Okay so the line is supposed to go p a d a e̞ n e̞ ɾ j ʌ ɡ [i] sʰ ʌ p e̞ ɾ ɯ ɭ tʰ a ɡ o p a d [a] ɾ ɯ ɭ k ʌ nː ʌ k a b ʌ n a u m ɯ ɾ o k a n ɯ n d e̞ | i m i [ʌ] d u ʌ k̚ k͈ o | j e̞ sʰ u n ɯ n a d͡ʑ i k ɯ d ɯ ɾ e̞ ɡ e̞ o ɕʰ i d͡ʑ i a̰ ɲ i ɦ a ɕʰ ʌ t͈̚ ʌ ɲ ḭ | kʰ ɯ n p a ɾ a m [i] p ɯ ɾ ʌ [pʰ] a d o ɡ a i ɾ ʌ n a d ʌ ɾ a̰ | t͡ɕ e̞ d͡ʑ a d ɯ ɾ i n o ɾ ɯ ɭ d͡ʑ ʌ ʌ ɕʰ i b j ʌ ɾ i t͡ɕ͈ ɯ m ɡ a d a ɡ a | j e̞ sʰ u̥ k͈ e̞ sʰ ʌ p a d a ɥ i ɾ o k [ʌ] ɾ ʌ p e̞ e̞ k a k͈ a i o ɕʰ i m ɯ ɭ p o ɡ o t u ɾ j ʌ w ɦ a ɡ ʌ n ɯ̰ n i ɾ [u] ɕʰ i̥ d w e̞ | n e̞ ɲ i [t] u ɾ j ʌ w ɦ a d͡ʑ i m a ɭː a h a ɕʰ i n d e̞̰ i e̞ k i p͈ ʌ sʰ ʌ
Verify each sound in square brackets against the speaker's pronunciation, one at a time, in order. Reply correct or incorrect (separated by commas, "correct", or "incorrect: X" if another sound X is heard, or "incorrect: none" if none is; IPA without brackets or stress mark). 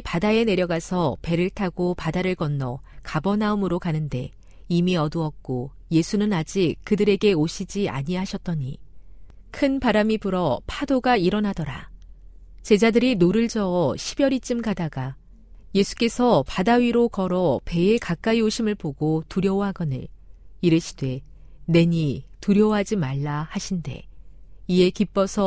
incorrect: a, correct, correct, correct, correct, correct, incorrect: ɯ, correct